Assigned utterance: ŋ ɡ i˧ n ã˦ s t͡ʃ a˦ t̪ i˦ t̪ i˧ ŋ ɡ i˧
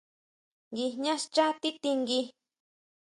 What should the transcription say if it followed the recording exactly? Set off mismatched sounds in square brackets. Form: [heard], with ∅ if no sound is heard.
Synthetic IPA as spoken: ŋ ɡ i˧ [ɲ] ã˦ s t͡ʃ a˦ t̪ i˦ t̪ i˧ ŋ ɡ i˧